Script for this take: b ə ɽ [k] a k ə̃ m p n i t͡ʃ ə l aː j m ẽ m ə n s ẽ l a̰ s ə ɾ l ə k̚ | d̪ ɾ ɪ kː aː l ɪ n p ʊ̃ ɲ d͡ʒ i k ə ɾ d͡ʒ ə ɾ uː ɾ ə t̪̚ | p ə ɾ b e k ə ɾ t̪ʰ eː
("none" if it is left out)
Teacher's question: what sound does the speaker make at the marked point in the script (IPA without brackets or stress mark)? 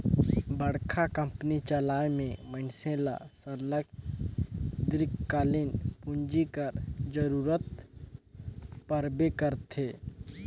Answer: kʰ